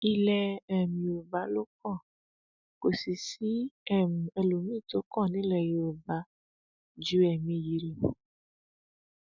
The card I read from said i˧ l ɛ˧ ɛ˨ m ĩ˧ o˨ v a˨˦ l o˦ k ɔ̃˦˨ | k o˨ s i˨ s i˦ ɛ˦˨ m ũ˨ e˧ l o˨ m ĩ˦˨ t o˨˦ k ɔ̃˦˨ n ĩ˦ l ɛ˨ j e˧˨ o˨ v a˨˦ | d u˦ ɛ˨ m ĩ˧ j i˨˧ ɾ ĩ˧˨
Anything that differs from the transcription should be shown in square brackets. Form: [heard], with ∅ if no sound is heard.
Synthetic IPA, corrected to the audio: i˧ l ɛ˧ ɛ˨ m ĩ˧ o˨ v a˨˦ l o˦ k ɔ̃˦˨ | k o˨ s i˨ s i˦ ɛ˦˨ m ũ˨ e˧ l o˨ m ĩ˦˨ t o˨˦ k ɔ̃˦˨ n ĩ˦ l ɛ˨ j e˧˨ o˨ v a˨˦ | [d͡ʒ] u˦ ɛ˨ m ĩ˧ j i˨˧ ɾ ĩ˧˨

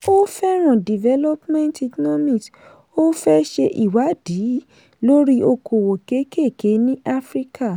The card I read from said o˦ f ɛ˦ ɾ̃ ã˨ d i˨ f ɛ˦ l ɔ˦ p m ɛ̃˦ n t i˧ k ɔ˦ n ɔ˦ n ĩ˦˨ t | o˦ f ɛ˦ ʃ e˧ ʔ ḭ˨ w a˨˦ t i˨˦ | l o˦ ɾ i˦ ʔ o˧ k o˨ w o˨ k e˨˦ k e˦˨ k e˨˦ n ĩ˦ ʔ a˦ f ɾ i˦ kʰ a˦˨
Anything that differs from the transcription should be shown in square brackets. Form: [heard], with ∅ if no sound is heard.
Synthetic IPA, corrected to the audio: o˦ f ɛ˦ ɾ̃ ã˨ d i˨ [v] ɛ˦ l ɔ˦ p m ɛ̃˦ n t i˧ k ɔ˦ n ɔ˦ [m] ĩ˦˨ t | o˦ f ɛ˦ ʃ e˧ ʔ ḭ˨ w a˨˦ [d] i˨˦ | l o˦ ɾ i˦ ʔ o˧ k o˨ w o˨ k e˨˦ k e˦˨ k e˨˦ n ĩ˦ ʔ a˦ f ɾ i˦ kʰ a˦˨

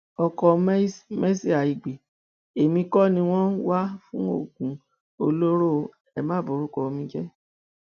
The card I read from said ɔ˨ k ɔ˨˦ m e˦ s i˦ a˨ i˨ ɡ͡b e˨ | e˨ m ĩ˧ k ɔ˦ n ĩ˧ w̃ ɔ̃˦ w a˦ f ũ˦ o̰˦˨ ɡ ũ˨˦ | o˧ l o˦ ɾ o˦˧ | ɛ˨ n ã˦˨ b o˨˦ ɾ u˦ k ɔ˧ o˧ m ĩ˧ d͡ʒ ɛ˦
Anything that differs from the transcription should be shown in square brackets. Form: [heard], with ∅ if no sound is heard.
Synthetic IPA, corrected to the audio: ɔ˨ k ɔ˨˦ m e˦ s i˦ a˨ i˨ ɡ͡b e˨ | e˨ m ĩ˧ k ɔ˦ n ĩ˧ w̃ ɔ̃˦ w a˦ f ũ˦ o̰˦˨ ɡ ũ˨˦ | o˧ l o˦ ɾ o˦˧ | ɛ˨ [m] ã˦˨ b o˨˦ ɾ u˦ k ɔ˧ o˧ m ĩ˧ d͡ʒ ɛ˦

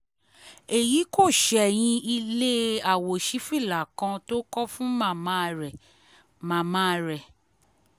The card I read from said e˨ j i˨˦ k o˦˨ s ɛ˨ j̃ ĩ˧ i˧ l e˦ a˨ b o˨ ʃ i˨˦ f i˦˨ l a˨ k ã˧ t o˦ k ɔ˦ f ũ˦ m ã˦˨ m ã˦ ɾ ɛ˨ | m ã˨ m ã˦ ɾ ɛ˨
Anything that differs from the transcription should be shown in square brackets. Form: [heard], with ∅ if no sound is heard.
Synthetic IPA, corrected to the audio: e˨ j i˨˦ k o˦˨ [ʃ] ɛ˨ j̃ ĩ˧ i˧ l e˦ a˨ [w] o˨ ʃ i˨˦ f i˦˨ l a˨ k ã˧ t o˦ k ɔ˦ f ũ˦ m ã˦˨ m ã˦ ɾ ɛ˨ | m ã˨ m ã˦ ɾ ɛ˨

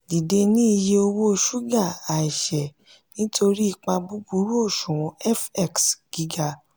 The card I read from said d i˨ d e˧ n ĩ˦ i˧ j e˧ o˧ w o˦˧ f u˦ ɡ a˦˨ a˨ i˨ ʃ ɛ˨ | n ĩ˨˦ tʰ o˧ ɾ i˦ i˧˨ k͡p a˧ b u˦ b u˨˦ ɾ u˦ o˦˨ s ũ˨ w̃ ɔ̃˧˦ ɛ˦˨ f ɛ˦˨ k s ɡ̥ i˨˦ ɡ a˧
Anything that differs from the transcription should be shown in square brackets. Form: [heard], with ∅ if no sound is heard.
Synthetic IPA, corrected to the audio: d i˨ d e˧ n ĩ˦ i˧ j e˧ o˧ w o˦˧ [ʃ] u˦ ɡ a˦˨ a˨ i˨ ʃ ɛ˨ | n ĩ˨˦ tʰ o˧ ɾ i˦ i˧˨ k͡p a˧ b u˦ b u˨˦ ɾ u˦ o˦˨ [ʃ] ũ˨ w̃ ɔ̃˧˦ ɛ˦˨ f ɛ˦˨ k s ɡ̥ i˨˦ ɡ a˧

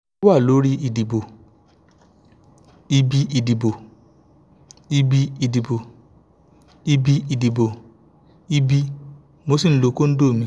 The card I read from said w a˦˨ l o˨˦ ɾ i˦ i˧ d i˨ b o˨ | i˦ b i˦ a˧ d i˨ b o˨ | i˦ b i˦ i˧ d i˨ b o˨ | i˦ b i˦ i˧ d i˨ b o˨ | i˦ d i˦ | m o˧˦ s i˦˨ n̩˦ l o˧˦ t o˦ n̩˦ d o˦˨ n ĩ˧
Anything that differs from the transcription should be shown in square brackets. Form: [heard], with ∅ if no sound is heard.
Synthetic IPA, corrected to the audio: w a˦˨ l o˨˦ ɾ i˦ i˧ d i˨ b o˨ | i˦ b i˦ [i˧] d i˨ b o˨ | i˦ b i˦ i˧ d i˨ b o˨ | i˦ b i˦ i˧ d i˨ b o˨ | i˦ [b] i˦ | m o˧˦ s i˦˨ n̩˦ l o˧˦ [k] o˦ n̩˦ d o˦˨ [m] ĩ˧

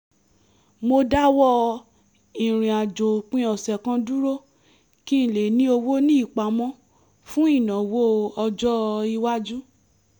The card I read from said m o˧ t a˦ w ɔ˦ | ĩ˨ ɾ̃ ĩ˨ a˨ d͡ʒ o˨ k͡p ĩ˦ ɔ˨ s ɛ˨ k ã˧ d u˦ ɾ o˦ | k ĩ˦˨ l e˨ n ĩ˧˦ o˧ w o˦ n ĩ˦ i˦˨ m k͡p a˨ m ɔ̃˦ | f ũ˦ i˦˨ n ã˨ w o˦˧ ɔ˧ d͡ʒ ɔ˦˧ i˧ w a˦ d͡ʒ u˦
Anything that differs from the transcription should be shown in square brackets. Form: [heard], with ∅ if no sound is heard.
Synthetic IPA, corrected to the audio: m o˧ [d] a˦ w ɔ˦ | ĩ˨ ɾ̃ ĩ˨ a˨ d͡ʒ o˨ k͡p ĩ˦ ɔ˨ s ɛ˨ k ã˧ d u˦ ɾ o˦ | k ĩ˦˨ l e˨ n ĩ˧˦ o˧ w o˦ n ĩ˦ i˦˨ [∅] k͡p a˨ m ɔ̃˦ | f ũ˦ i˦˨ n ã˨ w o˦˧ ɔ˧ d͡ʒ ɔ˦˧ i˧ w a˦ d͡ʒ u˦

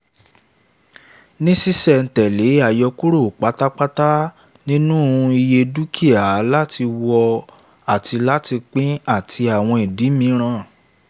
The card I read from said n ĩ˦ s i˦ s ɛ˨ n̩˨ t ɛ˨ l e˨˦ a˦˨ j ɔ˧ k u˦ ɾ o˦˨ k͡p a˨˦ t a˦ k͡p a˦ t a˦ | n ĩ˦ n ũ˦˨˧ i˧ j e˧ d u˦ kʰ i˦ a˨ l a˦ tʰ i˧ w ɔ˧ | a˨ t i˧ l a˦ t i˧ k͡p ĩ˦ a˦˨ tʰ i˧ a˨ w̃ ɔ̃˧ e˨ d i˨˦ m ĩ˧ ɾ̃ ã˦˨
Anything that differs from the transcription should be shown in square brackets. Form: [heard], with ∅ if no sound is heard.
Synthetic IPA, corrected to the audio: n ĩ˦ s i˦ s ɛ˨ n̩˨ t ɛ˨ l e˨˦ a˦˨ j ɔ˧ k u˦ ɾ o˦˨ k͡p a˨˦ t a˦ k͡p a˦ t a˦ | n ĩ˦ n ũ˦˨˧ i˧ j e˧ d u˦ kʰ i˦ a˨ l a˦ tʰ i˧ w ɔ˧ | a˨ t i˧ l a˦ t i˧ k͡p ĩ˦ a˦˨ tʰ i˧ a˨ w̃ ɔ̃˧ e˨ d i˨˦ m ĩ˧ ɾ̃ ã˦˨

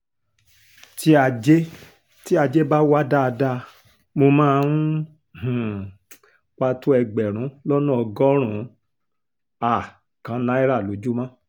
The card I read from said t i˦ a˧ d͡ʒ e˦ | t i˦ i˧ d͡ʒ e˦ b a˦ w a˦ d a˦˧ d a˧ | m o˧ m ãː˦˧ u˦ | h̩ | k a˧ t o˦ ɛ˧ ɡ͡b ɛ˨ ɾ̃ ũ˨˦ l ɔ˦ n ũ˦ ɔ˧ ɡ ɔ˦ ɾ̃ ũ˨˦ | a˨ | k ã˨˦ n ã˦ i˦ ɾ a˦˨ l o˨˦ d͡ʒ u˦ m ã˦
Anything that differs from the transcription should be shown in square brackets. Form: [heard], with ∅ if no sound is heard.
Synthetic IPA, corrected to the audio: t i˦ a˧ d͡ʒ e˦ | t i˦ [a˧] d͡ʒ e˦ b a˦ w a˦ d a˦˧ d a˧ | m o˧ m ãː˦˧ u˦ | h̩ | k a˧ t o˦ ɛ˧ ɡ͡b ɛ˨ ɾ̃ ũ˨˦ l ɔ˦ n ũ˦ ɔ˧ ɡ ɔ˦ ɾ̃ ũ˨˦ | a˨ | k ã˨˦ n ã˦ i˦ ɾ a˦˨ l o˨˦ d͡ʒ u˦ m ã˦

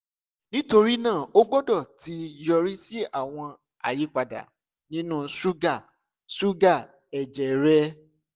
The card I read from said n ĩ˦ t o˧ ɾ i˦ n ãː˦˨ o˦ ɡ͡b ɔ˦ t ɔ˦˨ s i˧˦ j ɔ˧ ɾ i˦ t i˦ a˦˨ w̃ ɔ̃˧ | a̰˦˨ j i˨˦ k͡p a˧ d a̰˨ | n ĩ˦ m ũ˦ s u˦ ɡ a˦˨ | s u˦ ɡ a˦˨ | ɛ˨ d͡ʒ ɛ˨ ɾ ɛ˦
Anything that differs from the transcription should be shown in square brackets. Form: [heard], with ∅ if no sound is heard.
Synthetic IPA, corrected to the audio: n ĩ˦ t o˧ ɾ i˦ n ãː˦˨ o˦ ɡ͡b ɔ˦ [d] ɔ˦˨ [t] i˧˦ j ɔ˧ ɾ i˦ [s] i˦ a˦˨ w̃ ɔ̃˧ | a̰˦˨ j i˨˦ k͡p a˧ d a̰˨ | n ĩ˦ [n] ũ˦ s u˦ ɡ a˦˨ | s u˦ ɡ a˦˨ | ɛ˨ d͡ʒ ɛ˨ ɾ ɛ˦

